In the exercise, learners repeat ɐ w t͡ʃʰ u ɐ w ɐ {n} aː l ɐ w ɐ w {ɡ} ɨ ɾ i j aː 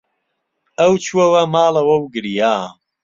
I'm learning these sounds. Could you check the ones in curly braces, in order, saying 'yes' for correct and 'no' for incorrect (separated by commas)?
no, yes